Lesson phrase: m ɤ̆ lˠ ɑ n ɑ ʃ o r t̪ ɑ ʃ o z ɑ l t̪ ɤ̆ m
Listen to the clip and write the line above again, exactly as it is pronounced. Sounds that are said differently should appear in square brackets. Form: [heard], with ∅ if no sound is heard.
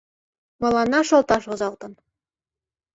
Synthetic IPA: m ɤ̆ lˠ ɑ n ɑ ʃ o [l] t̪ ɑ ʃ o z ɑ l t̪ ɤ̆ [n]